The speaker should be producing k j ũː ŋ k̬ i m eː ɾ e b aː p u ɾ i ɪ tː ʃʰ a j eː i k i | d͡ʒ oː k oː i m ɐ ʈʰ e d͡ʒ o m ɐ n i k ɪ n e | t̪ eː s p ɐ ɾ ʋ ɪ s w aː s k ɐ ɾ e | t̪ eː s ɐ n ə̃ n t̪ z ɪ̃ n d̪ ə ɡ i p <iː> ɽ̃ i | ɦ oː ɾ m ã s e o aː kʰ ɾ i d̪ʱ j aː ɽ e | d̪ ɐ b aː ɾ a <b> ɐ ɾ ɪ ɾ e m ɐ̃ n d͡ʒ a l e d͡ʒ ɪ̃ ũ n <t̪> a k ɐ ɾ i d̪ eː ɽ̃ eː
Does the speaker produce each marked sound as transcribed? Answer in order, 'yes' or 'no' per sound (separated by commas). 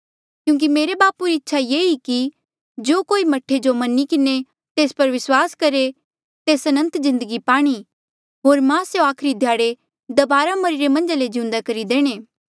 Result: no, no, no